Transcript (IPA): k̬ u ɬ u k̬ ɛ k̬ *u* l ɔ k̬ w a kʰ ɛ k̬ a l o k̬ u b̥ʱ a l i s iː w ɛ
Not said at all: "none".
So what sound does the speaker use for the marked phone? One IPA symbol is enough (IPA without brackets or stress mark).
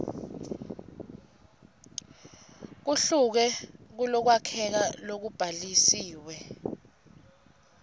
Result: u